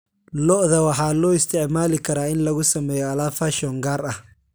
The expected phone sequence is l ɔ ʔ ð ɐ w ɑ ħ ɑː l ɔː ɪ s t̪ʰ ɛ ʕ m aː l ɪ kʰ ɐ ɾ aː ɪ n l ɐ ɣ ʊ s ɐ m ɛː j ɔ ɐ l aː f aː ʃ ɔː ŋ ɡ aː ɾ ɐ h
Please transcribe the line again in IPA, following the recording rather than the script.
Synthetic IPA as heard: l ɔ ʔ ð ɐ w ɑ ħ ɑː l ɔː ɪ s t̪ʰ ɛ ʕ m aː l ɪ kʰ ɐ ɾ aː ɪ n l ɐ ɣ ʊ s ɐ m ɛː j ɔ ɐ l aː f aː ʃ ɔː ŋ ɡ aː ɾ ɐ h